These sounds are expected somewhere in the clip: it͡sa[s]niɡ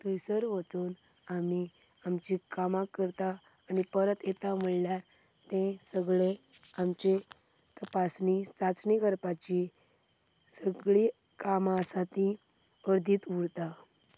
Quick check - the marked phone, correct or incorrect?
incorrect